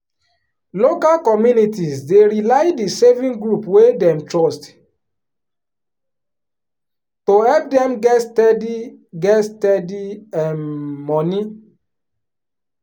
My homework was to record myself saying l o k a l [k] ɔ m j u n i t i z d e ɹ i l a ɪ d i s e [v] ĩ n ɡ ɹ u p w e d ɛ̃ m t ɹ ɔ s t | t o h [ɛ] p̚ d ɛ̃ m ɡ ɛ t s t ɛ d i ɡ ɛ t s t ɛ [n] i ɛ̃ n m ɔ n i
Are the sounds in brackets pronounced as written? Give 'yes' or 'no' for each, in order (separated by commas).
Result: yes, yes, yes, no